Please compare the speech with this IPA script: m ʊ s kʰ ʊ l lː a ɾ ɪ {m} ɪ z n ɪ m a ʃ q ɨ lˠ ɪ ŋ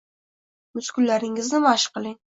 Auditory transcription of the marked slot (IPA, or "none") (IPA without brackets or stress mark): ŋ